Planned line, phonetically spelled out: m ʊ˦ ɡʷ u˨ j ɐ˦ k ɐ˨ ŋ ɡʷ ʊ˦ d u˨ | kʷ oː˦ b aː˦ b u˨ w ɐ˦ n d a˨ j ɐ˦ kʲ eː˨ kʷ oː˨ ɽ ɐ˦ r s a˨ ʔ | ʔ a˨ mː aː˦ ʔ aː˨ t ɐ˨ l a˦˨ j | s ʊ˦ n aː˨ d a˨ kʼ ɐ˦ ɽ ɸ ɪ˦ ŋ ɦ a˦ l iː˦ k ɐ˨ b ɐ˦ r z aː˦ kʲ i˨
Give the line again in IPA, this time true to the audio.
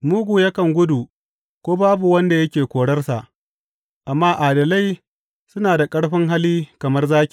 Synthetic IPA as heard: m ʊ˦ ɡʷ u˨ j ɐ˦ k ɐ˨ ŋ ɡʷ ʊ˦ d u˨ | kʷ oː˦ b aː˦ b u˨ w ɐ˦ n d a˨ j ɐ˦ kʲ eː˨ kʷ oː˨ ɽ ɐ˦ r s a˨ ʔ | ʔ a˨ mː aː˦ ʔ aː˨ d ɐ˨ l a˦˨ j | s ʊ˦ n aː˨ d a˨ kʼ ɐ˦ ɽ ɸ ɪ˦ ŋ ɦ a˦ l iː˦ k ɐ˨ m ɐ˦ r z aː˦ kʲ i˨